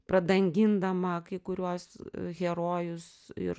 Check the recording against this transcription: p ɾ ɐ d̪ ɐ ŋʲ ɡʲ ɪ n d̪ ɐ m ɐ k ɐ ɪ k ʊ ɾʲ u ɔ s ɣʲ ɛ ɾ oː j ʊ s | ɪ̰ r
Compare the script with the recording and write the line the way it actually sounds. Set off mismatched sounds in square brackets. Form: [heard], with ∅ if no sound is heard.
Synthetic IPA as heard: p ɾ ɐ d̪ ɐ ŋʲ ɡʲ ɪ n d̪ ɐ m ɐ k ɐ ɪ k ʊ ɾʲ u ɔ s ɣʲ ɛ ɾ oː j ʊ s | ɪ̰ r